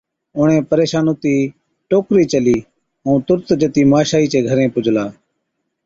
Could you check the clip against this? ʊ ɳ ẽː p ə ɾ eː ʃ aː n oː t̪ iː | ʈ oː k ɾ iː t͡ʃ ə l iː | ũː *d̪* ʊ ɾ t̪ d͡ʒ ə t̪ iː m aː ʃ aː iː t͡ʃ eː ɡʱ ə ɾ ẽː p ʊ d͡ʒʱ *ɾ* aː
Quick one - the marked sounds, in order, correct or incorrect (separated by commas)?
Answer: incorrect, incorrect